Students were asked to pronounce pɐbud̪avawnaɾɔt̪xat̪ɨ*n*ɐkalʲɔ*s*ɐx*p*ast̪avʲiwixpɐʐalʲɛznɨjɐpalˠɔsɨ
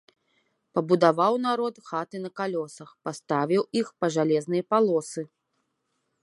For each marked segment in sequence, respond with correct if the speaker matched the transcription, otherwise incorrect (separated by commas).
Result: correct, correct, correct